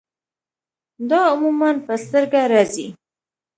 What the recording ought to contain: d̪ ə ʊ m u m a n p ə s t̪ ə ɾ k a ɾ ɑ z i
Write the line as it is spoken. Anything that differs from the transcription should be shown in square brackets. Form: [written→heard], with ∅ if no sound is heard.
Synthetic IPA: d̪ [ə→ɑ] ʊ m u m a n p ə s t̪ ə ɾ [k→ɡ] a ɾ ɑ z i